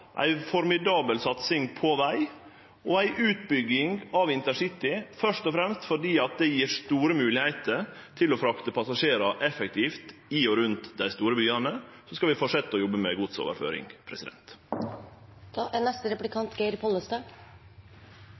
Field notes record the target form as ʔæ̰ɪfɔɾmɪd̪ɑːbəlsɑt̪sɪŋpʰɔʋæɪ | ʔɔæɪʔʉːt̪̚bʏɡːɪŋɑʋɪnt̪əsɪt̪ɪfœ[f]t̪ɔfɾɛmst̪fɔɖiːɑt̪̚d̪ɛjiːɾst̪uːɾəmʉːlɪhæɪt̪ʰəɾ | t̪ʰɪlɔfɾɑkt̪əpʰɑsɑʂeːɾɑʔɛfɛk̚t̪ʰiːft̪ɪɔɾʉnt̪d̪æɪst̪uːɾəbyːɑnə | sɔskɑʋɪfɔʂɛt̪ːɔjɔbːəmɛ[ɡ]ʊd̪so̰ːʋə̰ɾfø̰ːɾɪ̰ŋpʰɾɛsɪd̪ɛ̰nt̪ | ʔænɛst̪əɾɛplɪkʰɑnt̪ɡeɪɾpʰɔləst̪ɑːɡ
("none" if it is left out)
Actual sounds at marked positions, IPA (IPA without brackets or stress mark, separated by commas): ʂ, ɡ